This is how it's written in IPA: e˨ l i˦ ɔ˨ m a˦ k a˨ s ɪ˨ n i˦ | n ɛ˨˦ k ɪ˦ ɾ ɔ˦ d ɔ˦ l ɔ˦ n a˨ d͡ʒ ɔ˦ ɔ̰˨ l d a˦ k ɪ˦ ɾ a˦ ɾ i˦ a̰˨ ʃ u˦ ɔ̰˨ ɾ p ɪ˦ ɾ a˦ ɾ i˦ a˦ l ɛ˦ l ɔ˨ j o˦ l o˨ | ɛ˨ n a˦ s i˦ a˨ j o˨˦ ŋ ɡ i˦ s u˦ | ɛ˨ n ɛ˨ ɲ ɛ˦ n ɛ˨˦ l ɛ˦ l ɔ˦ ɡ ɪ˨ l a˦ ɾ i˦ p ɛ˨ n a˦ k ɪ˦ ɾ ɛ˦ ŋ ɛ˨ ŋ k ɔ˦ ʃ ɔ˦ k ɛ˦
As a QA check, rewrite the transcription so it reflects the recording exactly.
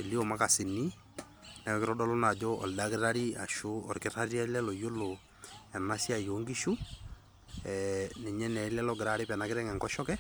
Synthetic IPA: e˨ l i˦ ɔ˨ m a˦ k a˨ s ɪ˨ n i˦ | n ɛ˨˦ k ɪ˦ ɾ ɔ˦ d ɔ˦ l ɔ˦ n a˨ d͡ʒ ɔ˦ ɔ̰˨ l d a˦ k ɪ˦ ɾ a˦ ɾ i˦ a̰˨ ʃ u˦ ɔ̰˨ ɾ k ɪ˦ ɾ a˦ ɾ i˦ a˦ l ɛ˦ l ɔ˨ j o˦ l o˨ | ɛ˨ n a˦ s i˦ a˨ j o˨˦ ŋ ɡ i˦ ʃ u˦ | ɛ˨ n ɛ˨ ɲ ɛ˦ n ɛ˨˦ l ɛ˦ l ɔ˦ ɡ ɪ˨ ɾ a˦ ɾ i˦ p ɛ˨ n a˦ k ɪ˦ ɾ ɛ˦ ŋ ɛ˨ ŋ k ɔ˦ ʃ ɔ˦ k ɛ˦